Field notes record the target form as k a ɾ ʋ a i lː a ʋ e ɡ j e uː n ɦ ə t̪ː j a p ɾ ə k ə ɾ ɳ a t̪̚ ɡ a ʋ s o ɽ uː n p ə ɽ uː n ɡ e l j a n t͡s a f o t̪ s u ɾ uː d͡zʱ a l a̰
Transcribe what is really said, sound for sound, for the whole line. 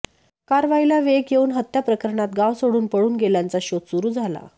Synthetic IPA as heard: k a ɾ ʋ a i l a ʋ e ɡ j e uː n ɦ ə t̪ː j a p ɾ ə k ə ɾ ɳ a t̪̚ ɡ a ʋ s o ɽ uː n p ə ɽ uː n ɡ e l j a n t͡s a ɕ o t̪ s u ɾ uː d͡zʱ a l a̰

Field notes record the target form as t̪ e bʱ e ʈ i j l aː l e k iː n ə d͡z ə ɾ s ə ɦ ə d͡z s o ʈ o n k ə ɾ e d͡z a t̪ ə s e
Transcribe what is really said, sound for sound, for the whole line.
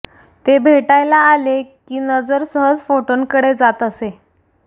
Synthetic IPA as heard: t̪ e bʱ e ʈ a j l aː l e k iː n ə d͡z ə ɾ s ə ɦ ə d͡z f o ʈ o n k ə ɽ e d͡z a t̪ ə s e

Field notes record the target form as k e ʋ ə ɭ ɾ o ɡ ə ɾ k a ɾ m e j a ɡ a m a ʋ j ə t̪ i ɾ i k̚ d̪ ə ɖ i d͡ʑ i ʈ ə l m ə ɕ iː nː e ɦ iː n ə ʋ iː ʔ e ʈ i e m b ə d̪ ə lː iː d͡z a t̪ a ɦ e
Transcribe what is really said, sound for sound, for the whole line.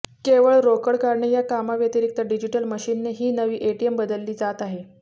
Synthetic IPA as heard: k e ʋ ə ɭ ɾ o k ə ɽ k a ɾ ɳ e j a k a m a ʋ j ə t̪ i ɾ i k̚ t̪ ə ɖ i d͡ʑ i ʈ ə l m ə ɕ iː nː e ɦ iː n ə ʋ iː ʔ e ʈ i e m b ə d̪ ə lː iː d͡z a t̪ a ɦ e

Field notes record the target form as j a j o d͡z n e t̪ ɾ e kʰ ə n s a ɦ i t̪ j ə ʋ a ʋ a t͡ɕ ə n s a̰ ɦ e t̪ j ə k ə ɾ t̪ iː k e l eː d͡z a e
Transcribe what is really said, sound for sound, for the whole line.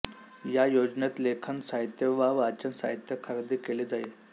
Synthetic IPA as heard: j a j o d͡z n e t̪ l e kʰ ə n s a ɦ i t̪ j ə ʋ a ʋ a t͡ɕ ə n s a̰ ɦ i t̪ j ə kʰ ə ɾ d̪ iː k e l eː d͡z a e

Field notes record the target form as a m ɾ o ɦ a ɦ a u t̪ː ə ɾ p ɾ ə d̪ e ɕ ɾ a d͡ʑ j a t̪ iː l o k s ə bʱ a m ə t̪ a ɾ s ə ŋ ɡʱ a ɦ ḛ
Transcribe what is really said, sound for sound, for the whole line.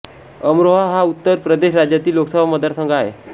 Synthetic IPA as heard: ə m ɾ o ɦ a ɦ a u t̪ː ə ɾ p ɾ ə d̪ e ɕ ɾ a d͡ʑ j a t̪ iː l o k s ə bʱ a m ə d̪ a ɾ s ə ŋ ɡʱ a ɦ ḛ

